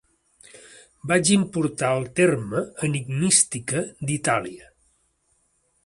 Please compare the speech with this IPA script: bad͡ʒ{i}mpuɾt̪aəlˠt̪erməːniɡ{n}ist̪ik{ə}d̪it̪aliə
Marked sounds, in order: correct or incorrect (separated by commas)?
correct, incorrect, correct